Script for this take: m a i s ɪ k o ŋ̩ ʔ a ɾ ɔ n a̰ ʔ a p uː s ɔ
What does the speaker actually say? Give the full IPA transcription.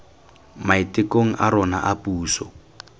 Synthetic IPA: m a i t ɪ k o ŋ̩ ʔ a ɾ ɔ n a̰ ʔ a p uː s ɔ